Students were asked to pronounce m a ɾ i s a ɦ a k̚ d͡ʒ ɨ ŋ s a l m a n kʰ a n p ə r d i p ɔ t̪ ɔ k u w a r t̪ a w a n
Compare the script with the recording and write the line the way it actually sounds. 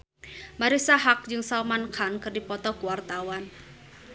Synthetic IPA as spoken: m a ɾ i s a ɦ a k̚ d͡ʒ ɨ ŋ s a l m a n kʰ a n k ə r d i p ɔ t̪ ɔ k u w a r t̪ a w a n